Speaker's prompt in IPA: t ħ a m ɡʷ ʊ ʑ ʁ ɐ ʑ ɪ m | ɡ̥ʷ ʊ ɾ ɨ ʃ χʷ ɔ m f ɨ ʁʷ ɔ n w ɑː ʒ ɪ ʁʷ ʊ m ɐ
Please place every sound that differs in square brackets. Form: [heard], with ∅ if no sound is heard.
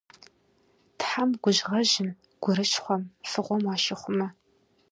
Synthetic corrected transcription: t ħ a m ɡʷ ʊ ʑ ʁ ɐ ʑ ɪ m | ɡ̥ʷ ʊ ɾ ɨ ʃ χʷ ɔ m f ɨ ʁʷ ɔ [m] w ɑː [ʃ] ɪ [χʷ] ʊ m ɐ